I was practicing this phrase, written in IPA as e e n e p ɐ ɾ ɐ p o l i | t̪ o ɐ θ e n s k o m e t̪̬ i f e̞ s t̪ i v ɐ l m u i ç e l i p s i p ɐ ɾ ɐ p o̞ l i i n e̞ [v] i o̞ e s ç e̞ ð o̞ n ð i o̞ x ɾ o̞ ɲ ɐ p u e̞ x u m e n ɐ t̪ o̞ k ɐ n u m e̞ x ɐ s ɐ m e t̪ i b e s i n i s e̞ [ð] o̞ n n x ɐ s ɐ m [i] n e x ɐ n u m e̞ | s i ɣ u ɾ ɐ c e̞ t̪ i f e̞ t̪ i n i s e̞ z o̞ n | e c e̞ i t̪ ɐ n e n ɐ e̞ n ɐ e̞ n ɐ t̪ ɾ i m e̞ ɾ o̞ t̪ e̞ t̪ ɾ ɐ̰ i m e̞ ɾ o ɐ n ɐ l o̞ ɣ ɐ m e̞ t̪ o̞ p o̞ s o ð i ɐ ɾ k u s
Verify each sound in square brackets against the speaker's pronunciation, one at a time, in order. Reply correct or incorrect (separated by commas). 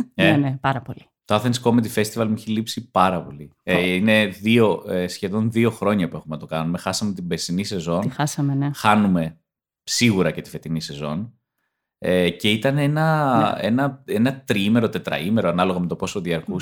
incorrect, incorrect, incorrect